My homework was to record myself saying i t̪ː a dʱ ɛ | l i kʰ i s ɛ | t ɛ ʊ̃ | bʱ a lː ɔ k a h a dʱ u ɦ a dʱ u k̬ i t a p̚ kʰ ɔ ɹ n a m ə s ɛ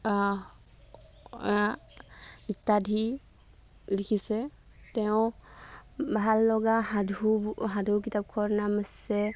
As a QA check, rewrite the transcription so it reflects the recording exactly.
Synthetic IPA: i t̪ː a dʱ i | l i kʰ i s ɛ | t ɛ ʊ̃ | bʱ a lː ɔ ɡ a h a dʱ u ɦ a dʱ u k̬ i t a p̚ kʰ ɔ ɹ n a m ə s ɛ